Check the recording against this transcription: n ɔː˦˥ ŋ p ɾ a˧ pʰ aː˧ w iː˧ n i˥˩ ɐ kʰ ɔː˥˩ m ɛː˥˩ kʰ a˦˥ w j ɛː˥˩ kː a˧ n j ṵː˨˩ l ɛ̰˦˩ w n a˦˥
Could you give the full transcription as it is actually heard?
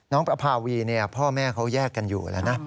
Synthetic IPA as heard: n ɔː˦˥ ŋ p ɾ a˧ pʰ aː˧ w iː˧ n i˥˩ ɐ pʰ ɔː˥˩ m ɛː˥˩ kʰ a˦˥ w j ɛː˥˩ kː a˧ n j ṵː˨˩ l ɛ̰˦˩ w n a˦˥